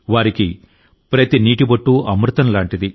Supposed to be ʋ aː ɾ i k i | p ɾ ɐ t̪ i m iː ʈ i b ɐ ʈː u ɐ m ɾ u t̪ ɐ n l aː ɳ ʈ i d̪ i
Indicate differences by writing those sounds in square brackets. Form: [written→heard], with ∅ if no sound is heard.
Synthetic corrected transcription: ʋ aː ɾ i k i | p ɾ ɐ t̪ i [m→n] iː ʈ i b ɐ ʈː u ɐ m ɾ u t̪ ɐ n l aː ɳ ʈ i d̪ i